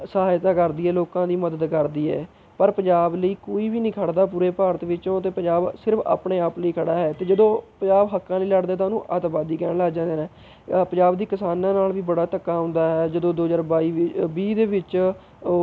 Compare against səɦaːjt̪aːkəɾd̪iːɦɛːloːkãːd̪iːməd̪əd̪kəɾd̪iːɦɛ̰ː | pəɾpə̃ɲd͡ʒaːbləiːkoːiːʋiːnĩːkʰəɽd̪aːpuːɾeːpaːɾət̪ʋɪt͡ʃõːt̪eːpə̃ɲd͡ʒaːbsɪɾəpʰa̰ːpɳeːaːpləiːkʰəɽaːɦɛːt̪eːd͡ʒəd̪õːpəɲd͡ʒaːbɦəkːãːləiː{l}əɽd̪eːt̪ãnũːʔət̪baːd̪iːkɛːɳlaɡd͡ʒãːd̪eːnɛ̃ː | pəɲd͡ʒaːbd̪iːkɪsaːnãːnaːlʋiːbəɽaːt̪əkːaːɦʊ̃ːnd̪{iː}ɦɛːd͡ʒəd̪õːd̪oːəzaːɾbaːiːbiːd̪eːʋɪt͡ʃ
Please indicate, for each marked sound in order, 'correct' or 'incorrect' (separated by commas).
correct, incorrect